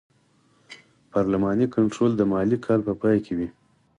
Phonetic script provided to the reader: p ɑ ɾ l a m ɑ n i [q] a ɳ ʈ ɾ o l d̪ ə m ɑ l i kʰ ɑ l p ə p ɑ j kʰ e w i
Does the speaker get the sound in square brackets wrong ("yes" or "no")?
yes